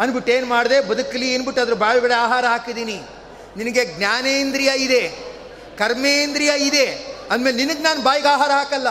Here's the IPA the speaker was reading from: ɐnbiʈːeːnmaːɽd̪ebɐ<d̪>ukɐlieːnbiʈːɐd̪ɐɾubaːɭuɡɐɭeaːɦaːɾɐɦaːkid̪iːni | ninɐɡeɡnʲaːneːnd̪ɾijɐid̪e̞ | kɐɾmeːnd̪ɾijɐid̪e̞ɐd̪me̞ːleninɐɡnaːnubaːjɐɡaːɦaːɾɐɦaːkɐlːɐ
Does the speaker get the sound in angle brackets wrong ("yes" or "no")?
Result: no